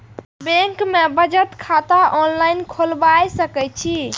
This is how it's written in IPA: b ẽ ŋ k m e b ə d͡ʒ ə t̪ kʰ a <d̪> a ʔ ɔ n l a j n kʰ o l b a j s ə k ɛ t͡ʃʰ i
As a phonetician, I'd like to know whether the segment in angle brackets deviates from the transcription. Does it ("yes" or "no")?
yes